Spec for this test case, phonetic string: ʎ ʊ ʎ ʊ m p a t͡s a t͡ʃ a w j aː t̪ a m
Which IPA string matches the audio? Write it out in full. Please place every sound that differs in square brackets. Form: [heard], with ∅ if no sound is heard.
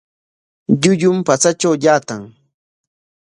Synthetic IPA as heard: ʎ ʊ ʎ ʊ m p a t͡s a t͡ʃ a w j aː t̪ a [ŋ]